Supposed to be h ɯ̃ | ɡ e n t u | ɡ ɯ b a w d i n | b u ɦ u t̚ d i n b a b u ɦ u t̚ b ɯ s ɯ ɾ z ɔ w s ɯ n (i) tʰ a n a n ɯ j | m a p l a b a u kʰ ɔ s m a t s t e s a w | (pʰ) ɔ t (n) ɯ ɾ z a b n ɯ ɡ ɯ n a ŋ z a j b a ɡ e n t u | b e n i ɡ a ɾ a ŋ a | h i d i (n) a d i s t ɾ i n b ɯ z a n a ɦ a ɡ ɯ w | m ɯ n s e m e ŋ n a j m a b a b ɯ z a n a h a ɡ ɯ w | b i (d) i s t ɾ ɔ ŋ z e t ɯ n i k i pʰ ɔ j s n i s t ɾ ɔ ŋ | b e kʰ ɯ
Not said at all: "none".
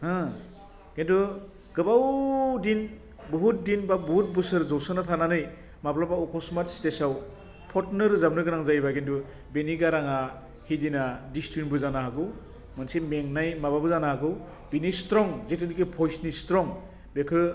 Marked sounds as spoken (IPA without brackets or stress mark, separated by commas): a, pʰ, n, n, n